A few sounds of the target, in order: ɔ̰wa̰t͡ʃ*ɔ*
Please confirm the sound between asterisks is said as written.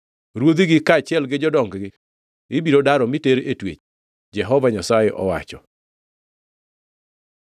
yes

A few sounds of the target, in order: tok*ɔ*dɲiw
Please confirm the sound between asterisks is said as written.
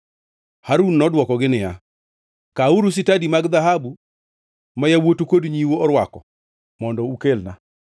no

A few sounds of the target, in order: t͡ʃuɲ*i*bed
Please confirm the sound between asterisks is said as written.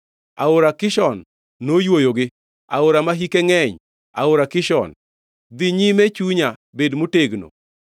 no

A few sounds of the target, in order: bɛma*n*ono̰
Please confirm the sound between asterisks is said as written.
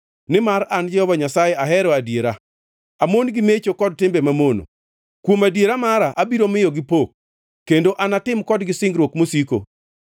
no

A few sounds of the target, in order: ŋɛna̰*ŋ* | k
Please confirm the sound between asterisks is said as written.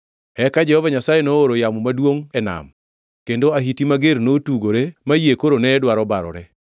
no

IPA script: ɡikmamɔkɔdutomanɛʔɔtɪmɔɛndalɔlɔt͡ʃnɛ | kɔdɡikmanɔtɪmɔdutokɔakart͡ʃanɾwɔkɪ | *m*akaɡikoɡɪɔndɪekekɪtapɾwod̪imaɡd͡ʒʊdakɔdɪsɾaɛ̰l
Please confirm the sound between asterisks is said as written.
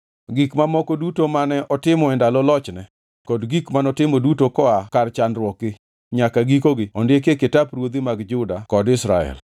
no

